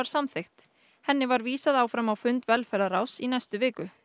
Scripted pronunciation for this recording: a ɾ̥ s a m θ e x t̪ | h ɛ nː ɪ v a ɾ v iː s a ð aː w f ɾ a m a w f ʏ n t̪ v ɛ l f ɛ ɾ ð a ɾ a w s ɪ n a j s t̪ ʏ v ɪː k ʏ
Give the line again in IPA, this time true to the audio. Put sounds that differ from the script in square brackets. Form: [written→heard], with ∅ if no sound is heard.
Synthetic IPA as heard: a ɾ̥ s a m θ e x t̪ | h ɛ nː ɪ v a ɾ v iː s a ð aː w f ɾ a m a w f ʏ n t̪ v ɛ l f ɛ ɾ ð a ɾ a w s [ɪ→i] n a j s t̪ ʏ v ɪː k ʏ

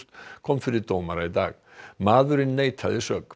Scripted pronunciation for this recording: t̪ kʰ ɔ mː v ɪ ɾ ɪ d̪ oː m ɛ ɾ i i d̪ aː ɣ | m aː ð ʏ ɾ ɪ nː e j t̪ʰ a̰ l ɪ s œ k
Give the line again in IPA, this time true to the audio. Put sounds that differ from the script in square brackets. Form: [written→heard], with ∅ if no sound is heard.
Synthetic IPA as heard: t̪ kʰ ɔ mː [v→f] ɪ ɾ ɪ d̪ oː m [ɛ→a] ɾ [i→a] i d̪ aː ɣ | m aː ð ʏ ɾ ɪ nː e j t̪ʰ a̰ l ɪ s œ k

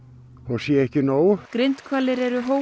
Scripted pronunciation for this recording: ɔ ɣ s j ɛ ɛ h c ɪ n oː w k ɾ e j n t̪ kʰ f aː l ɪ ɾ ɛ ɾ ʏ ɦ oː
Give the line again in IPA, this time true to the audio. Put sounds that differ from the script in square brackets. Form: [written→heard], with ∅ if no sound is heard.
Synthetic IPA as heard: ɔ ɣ s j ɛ ɛ h c ɪ n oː w k ɾ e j n t̪ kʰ [f→v] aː l ɪ ɾ ɛ ɾ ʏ ɦ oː

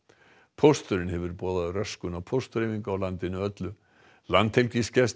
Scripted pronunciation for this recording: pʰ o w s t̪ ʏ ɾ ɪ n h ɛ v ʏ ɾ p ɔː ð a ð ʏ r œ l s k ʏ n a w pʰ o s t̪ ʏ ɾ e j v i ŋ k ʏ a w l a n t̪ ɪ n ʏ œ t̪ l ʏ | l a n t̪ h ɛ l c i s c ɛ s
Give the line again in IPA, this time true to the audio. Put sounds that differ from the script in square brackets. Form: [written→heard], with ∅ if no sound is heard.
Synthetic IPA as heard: pʰ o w s t̪ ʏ ɾ ɪ n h ɛ v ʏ ɾ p ɔː ð a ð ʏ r œ [l→∅] s k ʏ n a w pʰ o s t̪ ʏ ɾ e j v i ŋ k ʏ a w l a n t̪ ɪ n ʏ œ t̪ l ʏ | l a n t̪ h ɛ l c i s c ɛ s

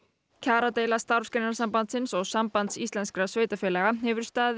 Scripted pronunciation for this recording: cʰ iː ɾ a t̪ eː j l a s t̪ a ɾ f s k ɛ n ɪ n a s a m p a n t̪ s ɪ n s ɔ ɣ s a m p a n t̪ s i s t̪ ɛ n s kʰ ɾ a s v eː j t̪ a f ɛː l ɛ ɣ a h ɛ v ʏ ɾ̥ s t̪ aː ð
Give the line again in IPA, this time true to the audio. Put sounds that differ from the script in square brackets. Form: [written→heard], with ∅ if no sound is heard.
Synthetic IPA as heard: cʰ [iː→aː] ɾ a t̪ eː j l a s t̪ a ɾ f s k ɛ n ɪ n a s a m p a n t̪ s ɪ n s ɔ ɣ s a m p a n t̪ s i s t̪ ɛ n s [kʰ→k] ɾ a s v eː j t̪ a f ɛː l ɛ ɣ a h ɛ v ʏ ɾ̥ s t̪ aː ð

